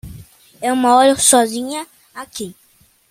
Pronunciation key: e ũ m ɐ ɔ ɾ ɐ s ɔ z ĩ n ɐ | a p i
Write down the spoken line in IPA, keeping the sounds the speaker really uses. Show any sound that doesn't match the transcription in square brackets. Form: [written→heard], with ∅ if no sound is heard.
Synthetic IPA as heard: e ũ m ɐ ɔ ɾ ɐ s ɔ z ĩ [n→ɲ] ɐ | a [p→k] i

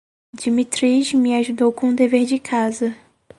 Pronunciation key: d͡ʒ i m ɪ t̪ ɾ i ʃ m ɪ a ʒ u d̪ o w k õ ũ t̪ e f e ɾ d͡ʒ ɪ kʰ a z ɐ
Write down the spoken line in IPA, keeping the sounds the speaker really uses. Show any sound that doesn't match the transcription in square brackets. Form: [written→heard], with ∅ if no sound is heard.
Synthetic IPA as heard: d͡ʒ i m [ɪ→i] t̪ ɾ i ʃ m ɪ a ʒ u d̪ o w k õ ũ [t̪→d̪] e [f→v] e ɾ d͡ʒ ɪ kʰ a z ɐ

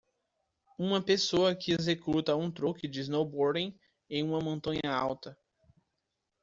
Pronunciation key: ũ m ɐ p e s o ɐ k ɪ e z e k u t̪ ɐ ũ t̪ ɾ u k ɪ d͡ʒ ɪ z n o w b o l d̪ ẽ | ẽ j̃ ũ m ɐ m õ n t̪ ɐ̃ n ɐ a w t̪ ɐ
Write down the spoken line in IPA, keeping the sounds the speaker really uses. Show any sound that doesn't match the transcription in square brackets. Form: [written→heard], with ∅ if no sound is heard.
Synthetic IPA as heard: ũ m ɐ p e s o ɐ k ɪ e z e k u t̪ ɐ ũ t̪ ɾ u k ɪ d͡ʒ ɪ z n o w b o [l→ɾ] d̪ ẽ | ẽ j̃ ũ m ɐ m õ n t̪ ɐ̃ [n→ɲ] ɐ a w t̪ ɐ

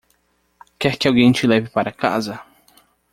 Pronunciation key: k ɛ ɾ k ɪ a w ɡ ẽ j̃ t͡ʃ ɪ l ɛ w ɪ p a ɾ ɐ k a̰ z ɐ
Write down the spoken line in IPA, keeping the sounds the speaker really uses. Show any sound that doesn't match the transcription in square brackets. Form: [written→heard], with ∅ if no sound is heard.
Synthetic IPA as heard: k ɛ ɾ k ɪ a w ɡ ẽ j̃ t͡ʃ ɪ l ɛ [w→v] ɪ p a ɾ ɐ k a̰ z ɐ

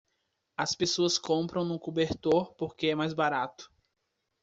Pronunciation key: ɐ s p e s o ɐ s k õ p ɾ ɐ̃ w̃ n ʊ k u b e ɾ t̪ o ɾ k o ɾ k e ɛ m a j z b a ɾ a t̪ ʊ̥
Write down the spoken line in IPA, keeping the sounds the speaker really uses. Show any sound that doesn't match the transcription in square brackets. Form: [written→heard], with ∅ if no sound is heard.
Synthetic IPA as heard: ɐ s p e s o ɐ s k õ p ɾ ɐ̃ w̃ n ʊ k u b e ɾ t̪ o ɾ [k→p] o ɾ k e ɛ m a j z b a ɾ a t̪ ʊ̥

